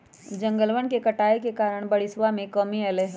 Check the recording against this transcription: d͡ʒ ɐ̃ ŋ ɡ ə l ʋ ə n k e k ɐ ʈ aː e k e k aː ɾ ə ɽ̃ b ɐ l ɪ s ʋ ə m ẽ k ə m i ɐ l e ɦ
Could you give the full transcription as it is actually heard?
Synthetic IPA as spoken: d͡ʒ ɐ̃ ŋ ɡ ə l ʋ ə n k e k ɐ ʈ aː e k e k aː ɾ ə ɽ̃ b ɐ ɽ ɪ s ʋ a m ẽ k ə m i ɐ l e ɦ